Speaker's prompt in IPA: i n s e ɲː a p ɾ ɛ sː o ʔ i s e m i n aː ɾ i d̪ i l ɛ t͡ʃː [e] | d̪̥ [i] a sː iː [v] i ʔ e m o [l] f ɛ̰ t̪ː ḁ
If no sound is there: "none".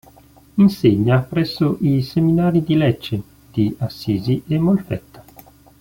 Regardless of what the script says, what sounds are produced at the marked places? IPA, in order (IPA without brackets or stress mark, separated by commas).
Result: e, i, z, l